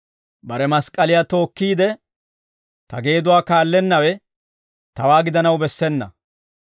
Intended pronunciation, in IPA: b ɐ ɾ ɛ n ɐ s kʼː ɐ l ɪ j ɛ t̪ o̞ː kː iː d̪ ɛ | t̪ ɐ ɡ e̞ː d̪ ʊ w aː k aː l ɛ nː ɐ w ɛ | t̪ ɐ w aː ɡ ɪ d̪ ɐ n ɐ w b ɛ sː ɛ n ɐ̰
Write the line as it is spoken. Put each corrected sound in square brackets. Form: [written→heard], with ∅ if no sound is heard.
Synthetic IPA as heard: b ɐ ɾ ɛ [n→m] ɐ s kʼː ɐ l ɪ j [ɛ→a] t̪ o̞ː kː iː d̪ ɛ | t̪ ɐ ɡ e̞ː d̪ ʊ w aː k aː [l→lː] ɛ nː ɐ w ɛ | t̪ ɐ w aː ɡ ɪ d̪ ɐ n ɐ w b ɛ sː ɛ [n→nː] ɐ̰